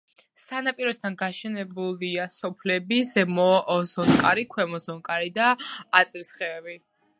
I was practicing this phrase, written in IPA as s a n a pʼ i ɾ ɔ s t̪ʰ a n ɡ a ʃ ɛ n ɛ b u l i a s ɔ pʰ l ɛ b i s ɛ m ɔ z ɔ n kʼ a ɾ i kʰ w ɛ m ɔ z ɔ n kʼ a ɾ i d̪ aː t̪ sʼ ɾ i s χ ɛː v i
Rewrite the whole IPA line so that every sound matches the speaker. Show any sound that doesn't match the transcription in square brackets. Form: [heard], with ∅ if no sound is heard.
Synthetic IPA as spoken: s a n a pʼ i ɾ ɔ s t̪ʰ a n ɡ a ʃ ɛ n ɛ b u l i a s ɔ pʰ l ɛ b i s ɛ m ɔ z ɔ n kʼ a ɾ i kʰ w ɛ m ɔ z ɔ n kʼ a ɾ i d̪ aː t̪ sʼ ɾ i s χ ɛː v i

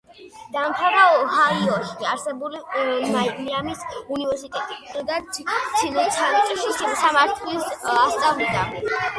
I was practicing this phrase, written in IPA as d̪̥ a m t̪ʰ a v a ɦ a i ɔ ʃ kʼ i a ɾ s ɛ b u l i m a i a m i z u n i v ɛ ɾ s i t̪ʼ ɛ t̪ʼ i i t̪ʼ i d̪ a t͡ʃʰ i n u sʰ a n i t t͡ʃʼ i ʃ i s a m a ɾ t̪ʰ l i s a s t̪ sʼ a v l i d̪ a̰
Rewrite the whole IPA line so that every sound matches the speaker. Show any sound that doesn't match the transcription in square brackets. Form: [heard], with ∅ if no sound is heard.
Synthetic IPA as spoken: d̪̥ a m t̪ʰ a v a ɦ a i ɔ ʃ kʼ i a ɾ s ɛ b u l i m a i a m i [s] u n i v ɛ ɾ s i t̪ʼ ɛ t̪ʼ i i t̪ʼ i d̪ a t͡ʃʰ i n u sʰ a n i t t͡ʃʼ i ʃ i s a m a ɾ t̪ʰ l i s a s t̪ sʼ a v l i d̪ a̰

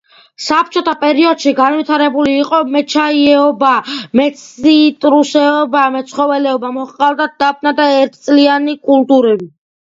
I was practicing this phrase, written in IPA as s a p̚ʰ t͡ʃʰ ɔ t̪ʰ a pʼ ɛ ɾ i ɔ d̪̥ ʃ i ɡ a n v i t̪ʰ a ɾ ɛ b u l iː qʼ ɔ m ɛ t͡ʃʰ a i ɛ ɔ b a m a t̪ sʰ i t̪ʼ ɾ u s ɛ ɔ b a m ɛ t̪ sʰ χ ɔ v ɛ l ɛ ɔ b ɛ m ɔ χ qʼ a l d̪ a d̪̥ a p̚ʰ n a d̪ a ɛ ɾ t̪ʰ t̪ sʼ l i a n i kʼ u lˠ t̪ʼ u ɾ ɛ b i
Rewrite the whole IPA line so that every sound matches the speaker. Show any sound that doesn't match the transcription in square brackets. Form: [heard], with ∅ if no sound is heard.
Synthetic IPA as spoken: s a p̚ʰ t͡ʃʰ ɔ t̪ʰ a pʼ ɛ ɾ i ɔ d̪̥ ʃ i ɡ a n v i t̪ʰ a ɾ ɛ b u l iː qʼ ɔ m ɛ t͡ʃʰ a i ɛ ɔ b a m [ɛ] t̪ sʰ i t̪ʼ ɾ u s ɛ ɔ b a m ɛ t̪ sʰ χ ɔ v ɛ l ɛ ɔ b [a] m ɔ χ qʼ a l d̪ a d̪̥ a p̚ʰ n a d̪ a ɛ ɾ t̪ʰ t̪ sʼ l i a n i kʼ u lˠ t̪ʼ u ɾ ɛ b i

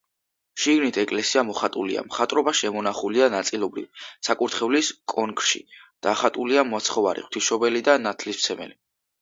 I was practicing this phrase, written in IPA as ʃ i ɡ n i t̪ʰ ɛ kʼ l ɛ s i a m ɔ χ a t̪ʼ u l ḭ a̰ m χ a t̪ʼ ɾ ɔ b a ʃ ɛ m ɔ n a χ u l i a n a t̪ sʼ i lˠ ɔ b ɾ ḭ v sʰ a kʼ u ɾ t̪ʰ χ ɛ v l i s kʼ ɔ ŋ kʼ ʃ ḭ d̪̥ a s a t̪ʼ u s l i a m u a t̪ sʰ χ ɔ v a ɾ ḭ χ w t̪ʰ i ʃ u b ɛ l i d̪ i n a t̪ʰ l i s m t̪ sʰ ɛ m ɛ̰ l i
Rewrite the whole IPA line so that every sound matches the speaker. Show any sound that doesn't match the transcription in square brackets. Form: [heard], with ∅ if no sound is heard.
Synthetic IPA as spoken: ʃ i ɡ n i t̪ʰ ɛ kʼ l ɛ s i a m ɔ χ a t̪ʼ u l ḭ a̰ m χ a t̪ʼ ɾ ɔ b a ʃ ɛ m ɔ n a χ u l i a n a t̪ sʼ i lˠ ɔ b ɾ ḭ v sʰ a kʼ u ɾ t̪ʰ χ ɛ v l i s kʼ ɔ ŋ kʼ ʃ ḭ d̪̥ a [χ] a t̪ʼ u [∅] l i a m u a t̪ sʰ χ ɔ v a ɾ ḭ χ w t̪ʰ i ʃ [ɔ] b ɛ l i d̪ [a] n a t̪ʰ l i s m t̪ sʰ ɛ m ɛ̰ l i

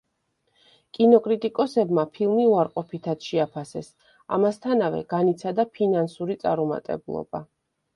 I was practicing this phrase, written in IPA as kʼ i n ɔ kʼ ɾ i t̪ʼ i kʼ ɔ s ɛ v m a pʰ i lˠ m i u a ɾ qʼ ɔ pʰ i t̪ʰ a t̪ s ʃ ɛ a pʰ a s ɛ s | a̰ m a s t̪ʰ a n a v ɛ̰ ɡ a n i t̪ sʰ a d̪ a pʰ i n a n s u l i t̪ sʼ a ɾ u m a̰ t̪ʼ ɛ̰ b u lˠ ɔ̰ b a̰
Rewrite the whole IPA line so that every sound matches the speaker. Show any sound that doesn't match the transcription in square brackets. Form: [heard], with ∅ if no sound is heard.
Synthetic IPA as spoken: kʼ i n ɔ kʼ ɾ i t̪ʼ i kʼ ɔ s ɛ [b] m a pʰ i lˠ m i u a ɾ qʼ ɔ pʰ i t̪ʰ a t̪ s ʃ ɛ a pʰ a s ɛ s | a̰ m a s t̪ʰ a n a v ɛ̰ ɡ a n i t̪ sʰ a d̪ a pʰ i n a n s u [ɾ] i t̪ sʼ a ɾ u m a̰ t̪ʼ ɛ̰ b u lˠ ɔ̰ b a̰

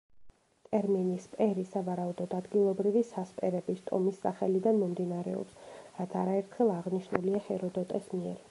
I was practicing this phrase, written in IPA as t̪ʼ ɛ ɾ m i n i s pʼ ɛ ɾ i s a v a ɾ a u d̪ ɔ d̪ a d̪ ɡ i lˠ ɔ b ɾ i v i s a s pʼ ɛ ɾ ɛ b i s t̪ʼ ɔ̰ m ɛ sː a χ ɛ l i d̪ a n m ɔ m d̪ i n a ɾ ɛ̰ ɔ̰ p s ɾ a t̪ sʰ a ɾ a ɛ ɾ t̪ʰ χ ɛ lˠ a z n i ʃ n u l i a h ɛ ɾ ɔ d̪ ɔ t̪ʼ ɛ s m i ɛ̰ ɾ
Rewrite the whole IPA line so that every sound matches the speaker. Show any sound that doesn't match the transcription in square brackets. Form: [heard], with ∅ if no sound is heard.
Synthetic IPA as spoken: t̪ʼ ɛ ɾ m i n i s pʼ ɛ ɾ i s a v a ɾ a u d̪ ɔ d̪ a d̪ ɡ i lˠ ɔ b ɾ i v i s a s pʼ ɛ ɾ ɛ b i s t̪ʼ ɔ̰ m [i] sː a χ ɛ l i d̪ a n m ɔ m d̪ i n a ɾ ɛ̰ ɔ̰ p s ɾ a t̪ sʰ a ɾ a ɛ ɾ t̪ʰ χ ɛ lˠ a [ʁ] n i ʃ n u l i a h ɛ ɾ ɔ d̪ ɔ t̪ʼ ɛ s m i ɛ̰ ɾ

